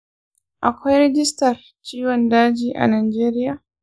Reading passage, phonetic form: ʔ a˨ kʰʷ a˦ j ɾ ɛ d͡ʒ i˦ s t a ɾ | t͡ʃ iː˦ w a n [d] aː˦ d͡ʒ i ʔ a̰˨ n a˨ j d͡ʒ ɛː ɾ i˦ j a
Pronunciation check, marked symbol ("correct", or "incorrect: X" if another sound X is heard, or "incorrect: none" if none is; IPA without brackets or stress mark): correct